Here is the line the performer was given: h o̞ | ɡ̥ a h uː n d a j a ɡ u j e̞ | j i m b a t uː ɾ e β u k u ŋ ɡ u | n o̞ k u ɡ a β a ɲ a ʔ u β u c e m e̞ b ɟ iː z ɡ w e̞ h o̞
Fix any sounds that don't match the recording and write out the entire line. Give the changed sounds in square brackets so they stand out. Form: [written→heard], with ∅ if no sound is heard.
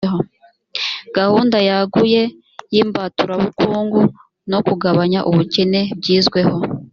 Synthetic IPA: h o̞ | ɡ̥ a h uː n d a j a ɡ u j e̞ | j i m b a t [uː→u] ɾ [e→a] β u k [u→uː] ŋ ɡ u | n o̞ k u ɡ a β a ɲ a ʔ u β u c e [m→n] e̞ b ɟ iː z ɡ w e̞ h o̞